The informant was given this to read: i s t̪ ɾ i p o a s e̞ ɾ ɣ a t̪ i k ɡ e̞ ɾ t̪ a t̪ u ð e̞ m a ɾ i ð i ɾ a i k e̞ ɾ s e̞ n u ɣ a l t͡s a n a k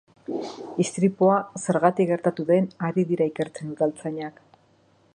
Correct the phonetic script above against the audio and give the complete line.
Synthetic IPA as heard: i s t̪ ɾ i p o a s e̞ ɾ ɣ a t̪ i k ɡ e̞ ɾ t̪ a t̪ u ð e̞ n a ɾ i ð i ɾ a i k e̞ ɾ t͡s e̞ n u ð a l t͡s a ɲ a k